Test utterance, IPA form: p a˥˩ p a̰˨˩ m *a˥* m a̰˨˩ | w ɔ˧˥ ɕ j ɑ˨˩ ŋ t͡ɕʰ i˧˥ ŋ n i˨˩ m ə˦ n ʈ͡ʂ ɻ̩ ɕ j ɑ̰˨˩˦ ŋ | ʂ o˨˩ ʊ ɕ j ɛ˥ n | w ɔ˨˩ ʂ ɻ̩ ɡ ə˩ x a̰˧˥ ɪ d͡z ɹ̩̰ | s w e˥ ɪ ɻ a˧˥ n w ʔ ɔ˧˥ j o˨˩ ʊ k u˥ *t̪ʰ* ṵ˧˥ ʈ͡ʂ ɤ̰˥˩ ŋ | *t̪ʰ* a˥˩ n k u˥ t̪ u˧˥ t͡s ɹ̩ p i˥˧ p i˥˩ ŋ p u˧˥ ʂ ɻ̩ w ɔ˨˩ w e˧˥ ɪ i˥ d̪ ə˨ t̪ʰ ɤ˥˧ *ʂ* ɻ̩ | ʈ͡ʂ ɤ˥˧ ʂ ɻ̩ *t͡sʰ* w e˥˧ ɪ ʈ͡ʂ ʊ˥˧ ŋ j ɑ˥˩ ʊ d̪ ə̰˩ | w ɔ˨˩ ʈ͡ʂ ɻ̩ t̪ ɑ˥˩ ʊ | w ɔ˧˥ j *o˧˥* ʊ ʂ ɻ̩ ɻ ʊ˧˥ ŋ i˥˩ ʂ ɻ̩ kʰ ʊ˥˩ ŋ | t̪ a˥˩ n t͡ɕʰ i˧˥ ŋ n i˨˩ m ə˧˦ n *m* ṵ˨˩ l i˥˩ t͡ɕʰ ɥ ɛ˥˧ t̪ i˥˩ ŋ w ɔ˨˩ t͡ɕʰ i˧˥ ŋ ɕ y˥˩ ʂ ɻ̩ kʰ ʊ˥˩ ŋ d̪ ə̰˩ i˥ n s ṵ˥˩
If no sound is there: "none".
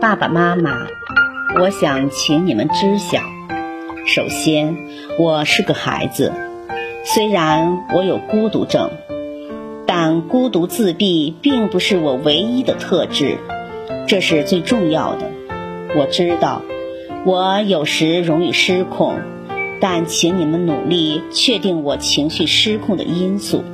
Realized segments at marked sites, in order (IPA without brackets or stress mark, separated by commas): a˥, t̪, t̪, ʈ͡ʂ, t͡s, o˨˩, n